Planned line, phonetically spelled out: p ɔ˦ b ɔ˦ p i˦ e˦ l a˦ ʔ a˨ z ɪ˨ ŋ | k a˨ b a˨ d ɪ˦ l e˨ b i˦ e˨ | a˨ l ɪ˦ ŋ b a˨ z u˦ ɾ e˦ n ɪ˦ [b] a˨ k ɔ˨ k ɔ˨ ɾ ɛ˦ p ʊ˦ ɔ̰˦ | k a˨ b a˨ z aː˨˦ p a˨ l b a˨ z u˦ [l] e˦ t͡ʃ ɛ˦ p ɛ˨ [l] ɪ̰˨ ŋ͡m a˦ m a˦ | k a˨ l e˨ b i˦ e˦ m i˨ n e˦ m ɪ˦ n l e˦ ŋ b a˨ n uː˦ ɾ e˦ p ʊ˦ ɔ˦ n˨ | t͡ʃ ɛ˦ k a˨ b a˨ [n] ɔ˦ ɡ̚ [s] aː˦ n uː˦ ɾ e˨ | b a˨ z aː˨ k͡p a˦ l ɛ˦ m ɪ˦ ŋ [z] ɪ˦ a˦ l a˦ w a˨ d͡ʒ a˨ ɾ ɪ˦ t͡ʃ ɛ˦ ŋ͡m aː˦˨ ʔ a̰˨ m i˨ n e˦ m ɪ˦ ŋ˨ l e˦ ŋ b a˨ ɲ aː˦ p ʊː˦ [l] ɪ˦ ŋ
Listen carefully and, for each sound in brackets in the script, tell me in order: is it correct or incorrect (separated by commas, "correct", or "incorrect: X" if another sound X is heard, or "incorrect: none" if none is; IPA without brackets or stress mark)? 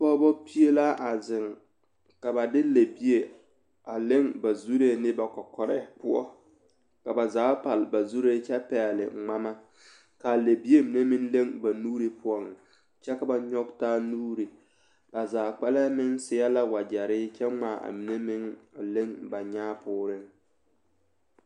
correct, incorrect: ɾ, correct, incorrect: ɲ, incorrect: t, incorrect: s, incorrect: ɾ